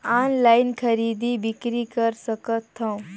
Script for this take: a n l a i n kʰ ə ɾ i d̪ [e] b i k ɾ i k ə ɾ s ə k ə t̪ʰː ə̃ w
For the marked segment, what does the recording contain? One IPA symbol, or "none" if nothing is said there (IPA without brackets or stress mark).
i